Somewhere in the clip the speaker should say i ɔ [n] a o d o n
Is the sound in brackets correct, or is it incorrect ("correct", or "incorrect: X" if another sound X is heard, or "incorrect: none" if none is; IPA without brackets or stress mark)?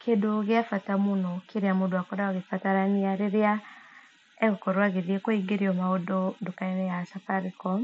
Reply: incorrect: m